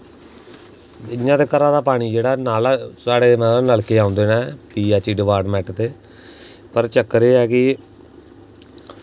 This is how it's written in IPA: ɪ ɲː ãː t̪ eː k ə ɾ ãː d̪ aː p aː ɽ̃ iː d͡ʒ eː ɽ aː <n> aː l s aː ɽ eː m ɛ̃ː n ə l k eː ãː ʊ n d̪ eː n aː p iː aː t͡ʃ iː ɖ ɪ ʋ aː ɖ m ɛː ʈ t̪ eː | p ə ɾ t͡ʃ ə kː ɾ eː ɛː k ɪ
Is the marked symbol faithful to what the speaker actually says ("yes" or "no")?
yes